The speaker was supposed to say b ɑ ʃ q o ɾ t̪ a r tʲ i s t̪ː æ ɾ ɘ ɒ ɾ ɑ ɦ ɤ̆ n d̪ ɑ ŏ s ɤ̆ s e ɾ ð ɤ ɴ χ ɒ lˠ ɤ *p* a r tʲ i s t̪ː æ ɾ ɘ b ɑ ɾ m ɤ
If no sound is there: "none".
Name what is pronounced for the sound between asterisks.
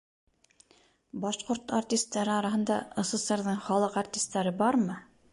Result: q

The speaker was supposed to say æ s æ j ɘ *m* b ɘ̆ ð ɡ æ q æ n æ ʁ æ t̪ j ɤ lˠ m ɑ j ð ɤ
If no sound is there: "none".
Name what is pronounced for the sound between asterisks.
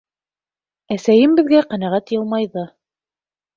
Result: m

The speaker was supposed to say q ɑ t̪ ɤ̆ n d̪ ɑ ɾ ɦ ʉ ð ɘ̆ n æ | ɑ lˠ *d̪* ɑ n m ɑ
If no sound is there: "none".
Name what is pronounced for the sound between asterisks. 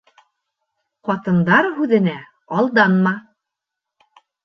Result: d̪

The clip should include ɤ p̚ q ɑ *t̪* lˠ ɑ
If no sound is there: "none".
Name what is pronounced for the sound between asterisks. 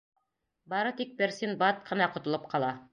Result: none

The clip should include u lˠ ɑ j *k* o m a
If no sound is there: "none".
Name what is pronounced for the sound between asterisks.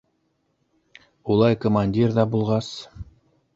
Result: k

